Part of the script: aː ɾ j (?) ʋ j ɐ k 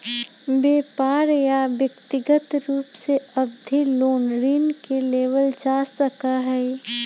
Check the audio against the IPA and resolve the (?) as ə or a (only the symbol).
a